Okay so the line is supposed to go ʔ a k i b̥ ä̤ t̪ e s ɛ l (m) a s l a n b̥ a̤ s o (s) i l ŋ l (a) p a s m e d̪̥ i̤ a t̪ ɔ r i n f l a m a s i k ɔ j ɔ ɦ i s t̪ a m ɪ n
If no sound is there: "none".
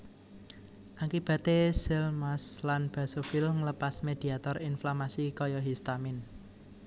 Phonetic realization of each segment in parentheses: m, f, ə

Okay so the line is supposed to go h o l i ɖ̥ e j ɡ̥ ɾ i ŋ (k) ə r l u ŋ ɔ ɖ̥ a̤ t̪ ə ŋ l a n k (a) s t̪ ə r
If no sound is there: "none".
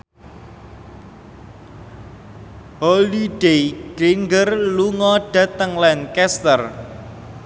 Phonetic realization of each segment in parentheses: ɡ, ɛ

